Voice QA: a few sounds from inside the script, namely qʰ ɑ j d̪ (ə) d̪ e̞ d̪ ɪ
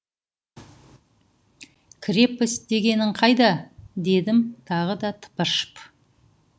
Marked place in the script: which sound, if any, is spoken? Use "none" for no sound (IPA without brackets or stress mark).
ɑ